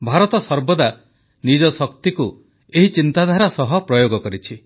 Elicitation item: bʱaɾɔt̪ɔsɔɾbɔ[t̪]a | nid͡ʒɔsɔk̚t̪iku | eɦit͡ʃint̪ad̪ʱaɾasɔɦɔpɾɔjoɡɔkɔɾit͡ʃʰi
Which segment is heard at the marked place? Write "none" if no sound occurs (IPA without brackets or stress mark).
d̪